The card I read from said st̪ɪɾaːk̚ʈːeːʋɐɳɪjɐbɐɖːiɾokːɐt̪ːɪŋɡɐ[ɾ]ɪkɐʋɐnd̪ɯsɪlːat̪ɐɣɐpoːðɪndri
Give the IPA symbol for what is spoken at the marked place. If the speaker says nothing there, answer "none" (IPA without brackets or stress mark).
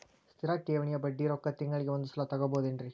ɭ